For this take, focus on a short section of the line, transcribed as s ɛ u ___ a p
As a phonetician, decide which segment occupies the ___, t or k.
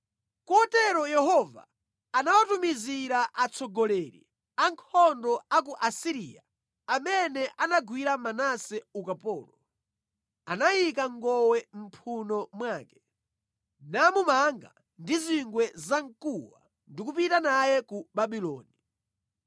k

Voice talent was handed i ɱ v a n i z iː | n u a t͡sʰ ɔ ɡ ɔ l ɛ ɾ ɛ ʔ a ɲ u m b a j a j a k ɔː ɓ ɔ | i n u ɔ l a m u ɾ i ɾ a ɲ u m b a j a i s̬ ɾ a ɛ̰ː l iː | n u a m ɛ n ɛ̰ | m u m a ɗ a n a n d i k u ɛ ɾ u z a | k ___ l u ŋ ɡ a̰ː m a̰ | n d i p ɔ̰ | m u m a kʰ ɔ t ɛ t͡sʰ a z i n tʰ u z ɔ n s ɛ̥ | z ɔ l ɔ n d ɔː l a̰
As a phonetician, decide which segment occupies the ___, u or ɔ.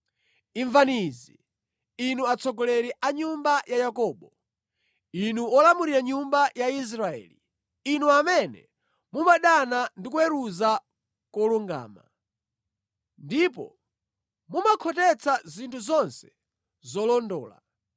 ɔ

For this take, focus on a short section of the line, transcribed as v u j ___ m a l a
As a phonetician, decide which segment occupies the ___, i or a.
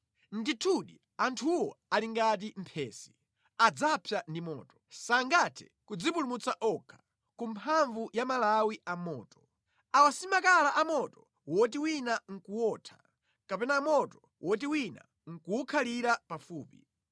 a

